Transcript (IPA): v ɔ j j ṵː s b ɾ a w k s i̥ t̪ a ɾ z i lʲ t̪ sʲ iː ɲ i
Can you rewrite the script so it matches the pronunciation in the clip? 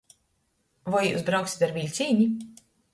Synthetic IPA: v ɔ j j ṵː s b ɾ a w k s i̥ t̪ a ɾ v i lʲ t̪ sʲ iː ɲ i